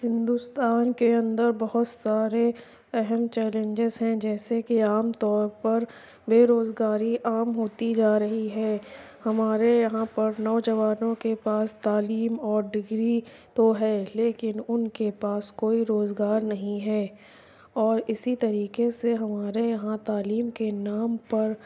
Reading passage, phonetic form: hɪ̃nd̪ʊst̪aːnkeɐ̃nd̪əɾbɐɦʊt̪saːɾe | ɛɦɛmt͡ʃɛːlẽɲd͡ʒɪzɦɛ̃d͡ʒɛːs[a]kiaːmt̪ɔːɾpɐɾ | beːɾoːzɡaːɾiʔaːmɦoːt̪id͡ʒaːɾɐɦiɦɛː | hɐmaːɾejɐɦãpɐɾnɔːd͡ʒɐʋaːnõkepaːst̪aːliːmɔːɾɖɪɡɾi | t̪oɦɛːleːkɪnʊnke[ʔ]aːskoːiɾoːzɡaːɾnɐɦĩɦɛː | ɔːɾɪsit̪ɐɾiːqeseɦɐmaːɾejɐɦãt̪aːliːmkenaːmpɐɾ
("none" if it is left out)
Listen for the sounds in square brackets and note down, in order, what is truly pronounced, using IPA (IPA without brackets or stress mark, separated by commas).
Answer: e, p